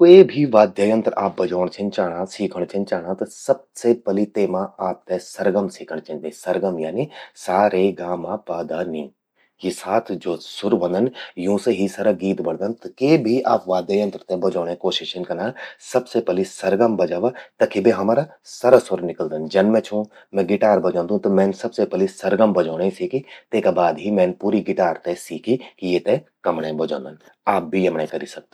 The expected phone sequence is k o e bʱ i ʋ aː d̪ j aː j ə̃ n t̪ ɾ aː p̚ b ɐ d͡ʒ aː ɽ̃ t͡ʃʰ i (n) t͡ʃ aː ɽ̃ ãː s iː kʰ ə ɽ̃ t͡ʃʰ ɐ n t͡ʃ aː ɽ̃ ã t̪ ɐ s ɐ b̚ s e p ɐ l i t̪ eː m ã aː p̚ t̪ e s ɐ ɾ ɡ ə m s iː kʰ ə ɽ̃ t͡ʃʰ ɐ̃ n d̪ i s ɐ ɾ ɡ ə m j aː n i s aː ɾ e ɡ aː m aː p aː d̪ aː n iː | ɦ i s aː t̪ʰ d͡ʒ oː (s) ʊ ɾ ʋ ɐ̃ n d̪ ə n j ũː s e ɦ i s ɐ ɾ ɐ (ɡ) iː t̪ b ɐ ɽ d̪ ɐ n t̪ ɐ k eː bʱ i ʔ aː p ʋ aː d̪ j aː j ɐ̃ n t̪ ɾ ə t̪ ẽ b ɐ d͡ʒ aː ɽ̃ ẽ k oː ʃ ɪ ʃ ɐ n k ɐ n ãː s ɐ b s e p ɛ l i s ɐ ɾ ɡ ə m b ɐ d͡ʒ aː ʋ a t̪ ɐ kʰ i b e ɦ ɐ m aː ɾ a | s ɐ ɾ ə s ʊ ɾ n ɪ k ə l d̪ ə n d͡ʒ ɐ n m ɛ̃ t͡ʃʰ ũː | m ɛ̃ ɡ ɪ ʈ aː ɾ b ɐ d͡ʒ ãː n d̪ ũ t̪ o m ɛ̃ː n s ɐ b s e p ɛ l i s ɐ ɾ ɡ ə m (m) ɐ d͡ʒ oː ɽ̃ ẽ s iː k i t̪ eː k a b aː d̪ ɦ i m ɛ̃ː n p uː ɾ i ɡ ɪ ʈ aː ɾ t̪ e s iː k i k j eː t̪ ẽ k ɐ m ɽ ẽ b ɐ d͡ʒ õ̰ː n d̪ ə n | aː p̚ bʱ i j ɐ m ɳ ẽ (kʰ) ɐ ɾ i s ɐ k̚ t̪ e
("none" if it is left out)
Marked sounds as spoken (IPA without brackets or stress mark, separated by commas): n, s, ɡ, b, k